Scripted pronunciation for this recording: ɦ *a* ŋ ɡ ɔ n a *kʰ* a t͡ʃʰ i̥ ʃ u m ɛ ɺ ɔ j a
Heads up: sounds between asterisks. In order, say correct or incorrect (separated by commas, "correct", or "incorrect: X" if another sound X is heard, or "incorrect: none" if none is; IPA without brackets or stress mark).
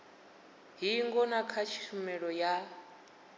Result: incorrect: i, correct